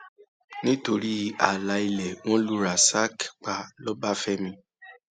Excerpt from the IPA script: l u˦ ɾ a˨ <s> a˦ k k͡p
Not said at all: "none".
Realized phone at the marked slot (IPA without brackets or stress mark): s